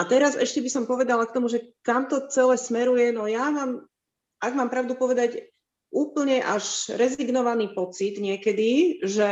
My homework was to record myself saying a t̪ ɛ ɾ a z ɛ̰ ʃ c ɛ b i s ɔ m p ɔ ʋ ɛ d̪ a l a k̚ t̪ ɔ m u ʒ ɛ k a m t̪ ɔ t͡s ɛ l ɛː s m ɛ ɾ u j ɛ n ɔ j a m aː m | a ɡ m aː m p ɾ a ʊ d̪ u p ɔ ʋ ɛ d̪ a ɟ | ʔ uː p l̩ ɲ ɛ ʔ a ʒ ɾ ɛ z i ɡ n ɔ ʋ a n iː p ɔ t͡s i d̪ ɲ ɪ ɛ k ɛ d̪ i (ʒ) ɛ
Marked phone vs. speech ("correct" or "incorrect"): correct